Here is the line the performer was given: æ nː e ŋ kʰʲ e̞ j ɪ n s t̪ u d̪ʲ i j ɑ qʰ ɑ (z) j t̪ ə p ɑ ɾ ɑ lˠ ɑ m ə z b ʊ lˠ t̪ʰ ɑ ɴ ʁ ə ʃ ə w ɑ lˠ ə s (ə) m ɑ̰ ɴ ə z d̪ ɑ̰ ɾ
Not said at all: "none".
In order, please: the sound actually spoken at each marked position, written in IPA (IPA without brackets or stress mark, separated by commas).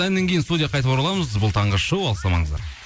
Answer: none, ɑ